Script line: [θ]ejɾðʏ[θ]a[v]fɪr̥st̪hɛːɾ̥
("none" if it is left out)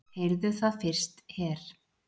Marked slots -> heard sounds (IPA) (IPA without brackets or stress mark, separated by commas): h, θ, ð